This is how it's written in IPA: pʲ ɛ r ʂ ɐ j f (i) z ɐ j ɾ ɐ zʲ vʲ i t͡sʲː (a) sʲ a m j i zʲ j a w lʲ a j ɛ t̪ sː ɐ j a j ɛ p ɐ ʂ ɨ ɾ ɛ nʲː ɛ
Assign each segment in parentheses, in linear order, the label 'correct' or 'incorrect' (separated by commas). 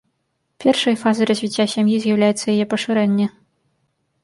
incorrect, correct